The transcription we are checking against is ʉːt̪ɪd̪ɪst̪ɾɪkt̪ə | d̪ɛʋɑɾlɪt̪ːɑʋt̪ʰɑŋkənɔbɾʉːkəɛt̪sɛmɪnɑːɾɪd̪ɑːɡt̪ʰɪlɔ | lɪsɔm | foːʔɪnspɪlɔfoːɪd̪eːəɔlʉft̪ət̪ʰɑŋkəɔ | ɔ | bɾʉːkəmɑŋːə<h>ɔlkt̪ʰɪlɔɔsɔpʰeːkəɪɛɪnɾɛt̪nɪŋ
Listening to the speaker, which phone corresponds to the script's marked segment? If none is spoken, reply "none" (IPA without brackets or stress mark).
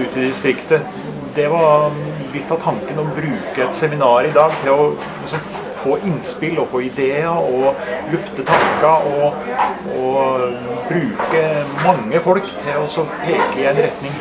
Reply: f